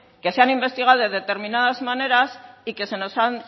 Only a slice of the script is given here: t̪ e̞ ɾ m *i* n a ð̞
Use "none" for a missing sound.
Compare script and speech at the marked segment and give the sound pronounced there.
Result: i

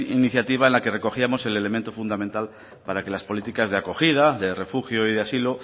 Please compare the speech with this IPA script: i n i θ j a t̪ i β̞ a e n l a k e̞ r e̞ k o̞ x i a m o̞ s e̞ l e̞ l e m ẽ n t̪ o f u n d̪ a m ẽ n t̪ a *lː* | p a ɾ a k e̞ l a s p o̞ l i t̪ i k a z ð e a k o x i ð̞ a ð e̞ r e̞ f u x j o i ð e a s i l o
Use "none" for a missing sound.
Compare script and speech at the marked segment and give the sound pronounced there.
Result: l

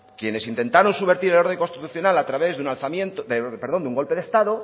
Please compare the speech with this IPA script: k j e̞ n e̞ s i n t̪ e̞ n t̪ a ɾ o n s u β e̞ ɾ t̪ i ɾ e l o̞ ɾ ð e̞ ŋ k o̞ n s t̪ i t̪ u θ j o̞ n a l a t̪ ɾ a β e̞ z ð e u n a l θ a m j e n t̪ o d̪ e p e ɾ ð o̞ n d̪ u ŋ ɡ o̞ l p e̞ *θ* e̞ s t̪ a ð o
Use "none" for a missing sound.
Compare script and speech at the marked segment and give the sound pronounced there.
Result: ð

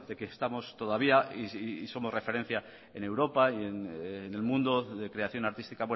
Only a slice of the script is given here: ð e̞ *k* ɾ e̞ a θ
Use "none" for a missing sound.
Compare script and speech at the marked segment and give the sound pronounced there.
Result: k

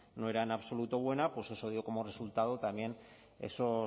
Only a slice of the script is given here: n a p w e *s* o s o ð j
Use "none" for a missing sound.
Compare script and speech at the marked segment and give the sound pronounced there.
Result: s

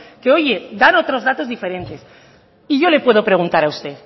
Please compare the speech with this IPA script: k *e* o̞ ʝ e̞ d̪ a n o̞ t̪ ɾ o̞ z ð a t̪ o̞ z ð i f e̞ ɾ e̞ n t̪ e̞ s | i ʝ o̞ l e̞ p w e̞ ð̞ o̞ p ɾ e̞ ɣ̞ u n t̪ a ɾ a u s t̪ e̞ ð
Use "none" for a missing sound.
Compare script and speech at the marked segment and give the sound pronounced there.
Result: e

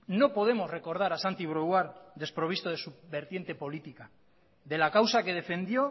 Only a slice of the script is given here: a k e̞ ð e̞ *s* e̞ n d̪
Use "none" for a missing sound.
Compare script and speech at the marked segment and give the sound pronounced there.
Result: f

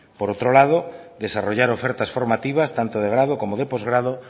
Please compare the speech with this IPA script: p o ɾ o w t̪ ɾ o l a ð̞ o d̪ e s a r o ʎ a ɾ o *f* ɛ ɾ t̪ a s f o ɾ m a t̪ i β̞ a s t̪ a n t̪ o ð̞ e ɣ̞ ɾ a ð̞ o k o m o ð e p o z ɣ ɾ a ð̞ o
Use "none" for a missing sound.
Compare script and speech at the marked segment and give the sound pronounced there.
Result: f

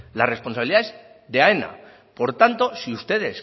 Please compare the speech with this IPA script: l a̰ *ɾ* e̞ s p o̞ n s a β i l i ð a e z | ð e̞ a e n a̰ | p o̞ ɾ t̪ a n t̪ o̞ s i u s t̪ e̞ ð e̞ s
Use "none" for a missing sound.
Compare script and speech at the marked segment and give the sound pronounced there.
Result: r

